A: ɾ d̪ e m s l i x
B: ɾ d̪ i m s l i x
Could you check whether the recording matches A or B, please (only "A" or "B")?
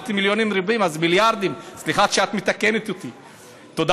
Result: B